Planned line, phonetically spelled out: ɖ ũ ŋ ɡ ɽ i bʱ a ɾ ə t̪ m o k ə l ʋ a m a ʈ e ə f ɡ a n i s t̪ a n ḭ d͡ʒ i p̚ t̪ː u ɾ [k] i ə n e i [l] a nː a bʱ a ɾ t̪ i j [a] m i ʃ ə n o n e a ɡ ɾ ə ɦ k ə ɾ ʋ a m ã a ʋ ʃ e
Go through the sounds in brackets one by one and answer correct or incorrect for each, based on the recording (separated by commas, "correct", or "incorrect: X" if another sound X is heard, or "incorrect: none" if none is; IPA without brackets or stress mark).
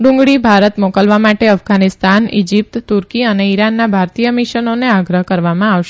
correct, incorrect: ɾ, incorrect: ə